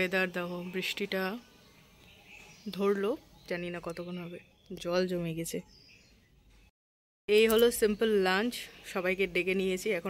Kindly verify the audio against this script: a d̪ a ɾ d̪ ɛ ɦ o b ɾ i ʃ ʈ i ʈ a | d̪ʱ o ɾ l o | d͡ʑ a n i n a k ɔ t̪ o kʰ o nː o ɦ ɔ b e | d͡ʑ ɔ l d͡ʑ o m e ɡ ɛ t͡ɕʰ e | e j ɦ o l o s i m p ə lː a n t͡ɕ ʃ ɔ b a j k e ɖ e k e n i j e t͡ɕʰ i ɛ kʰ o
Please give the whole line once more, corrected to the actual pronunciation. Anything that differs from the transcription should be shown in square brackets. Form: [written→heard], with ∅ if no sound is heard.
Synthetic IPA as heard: [a→e] d̪ a ɾ d̪ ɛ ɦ o b ɾ i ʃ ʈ i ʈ a | d̪ʱ o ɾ l o | d͡ʑ a n i n a k ɔ t̪ o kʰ o [nː→n] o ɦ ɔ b e | d͡ʑ ɔ l d͡ʑ o m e ɡ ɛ t͡ɕʰ e | e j ɦ o l o s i m p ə lː a n t͡ɕ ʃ ɔ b a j k e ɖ e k e n i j e t͡ɕʰ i ɛ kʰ o